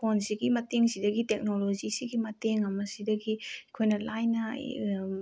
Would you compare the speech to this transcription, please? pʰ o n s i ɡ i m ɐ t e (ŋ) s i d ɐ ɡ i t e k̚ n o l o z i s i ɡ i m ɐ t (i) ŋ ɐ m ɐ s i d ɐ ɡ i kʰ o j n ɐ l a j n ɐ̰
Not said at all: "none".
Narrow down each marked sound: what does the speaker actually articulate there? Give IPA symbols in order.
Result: ŋ, e

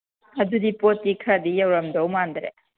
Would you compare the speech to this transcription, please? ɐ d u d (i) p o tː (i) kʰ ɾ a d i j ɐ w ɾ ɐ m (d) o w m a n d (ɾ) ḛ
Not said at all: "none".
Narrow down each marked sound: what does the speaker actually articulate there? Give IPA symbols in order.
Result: i, i, d, ɾ

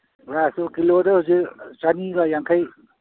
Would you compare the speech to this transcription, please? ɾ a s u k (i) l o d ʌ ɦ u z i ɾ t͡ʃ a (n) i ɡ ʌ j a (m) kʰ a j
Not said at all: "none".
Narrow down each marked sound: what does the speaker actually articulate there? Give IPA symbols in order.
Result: i, n, ŋ

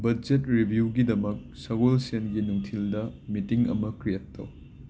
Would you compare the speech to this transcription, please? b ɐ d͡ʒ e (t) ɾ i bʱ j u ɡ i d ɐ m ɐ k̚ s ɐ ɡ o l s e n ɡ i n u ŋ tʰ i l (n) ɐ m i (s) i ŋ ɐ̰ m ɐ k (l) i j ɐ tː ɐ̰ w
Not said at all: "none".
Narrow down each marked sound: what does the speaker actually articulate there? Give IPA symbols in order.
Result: t, d, t, ɾ

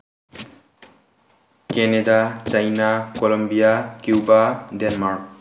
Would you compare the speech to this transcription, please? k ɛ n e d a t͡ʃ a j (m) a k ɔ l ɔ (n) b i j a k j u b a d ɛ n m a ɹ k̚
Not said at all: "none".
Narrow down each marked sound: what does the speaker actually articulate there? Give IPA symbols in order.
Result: n, m

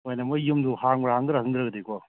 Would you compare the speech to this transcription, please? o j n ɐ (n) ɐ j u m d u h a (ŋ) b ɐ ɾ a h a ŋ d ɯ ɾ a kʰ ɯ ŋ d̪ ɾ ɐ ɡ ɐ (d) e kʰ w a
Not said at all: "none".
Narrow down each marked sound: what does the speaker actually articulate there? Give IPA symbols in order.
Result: m, ŋ, d

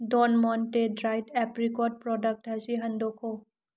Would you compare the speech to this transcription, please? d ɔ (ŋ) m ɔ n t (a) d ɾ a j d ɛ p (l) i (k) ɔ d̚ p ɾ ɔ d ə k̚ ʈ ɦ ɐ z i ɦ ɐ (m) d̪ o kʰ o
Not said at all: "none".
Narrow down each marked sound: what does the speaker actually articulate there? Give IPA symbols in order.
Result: n, e, ɾ, k, n

